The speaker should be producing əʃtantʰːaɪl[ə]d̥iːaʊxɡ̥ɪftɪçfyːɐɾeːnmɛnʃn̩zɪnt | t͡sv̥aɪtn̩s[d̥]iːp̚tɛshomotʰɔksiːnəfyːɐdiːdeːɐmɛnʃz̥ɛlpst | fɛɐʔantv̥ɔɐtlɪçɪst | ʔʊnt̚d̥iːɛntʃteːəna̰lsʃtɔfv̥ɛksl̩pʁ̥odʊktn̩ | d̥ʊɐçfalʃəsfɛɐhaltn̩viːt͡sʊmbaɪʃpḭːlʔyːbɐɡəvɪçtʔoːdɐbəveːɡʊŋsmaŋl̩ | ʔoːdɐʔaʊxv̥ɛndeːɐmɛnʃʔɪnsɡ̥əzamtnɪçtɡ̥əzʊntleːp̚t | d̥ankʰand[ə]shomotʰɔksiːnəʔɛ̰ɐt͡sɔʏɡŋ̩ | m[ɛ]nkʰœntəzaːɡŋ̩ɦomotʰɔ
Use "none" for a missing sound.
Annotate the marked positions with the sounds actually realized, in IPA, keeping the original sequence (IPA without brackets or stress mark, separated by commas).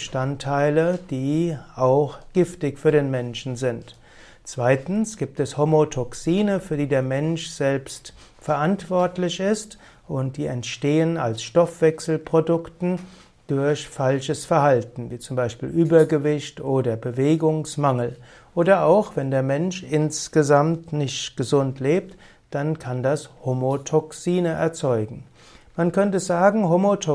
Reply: ə, ɡ̥, a, a